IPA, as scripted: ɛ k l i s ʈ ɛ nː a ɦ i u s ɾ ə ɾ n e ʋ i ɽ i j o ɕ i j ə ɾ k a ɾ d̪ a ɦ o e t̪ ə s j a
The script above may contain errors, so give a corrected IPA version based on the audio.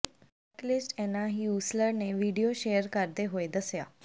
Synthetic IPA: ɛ k l i s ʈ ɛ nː a ɦ i u s l ə ɾ n e ʋ i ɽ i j o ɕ e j ə ɾ k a ɾ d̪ e ɦ o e d̪ ə s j a

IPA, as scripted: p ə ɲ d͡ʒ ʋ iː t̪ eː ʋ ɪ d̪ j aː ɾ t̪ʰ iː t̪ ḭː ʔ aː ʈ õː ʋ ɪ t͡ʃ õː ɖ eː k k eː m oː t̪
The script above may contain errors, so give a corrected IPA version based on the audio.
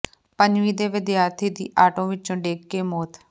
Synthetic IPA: p ə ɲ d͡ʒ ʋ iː d̪ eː ʋ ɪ d̪ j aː ɾ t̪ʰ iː d̪ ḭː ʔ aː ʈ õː ʋ ɪ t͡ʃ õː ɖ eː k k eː m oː t̪

